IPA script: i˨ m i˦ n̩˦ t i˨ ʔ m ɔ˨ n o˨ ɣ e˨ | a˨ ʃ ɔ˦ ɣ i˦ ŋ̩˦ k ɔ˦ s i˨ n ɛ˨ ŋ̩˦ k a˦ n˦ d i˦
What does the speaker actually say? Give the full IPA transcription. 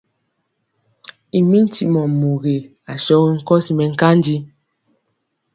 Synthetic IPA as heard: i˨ m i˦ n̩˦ t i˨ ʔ m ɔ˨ m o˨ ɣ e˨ | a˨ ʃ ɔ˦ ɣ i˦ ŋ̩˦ k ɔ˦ s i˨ m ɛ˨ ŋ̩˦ k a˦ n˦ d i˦